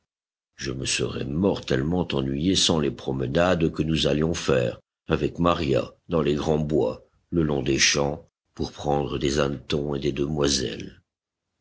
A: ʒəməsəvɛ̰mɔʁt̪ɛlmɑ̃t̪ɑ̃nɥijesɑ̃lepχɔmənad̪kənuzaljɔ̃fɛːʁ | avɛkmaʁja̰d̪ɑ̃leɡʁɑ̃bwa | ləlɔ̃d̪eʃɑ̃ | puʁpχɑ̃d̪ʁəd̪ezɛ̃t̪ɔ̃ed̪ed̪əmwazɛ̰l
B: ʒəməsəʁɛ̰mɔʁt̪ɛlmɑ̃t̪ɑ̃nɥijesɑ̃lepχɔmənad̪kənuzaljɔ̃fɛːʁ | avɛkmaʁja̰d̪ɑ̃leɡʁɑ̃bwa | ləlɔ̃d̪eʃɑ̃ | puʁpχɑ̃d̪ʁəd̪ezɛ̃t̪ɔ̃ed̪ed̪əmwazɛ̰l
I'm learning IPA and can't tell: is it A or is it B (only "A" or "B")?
B